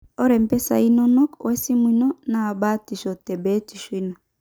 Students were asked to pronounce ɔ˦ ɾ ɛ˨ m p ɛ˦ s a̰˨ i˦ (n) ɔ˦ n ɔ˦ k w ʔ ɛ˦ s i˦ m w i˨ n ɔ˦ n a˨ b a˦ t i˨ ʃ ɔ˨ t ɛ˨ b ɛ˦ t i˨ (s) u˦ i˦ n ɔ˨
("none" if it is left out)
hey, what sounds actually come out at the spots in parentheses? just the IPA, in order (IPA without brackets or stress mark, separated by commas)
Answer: n, ʃ